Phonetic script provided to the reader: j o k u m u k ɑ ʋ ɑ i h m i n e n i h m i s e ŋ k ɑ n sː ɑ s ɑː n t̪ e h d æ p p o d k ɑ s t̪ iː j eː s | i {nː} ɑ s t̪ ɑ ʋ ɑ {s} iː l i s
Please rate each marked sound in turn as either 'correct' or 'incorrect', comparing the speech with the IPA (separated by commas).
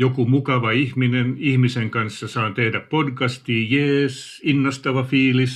correct, incorrect